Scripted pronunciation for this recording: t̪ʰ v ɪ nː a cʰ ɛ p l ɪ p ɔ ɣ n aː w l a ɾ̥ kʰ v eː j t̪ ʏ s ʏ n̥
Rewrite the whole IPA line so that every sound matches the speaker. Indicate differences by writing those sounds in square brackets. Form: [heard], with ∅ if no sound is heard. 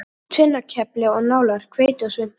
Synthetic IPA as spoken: t̪ʰ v ɪ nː a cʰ ɛ p l ɪ [∅] ɔ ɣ n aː w l a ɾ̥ kʰ v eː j t̪ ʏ s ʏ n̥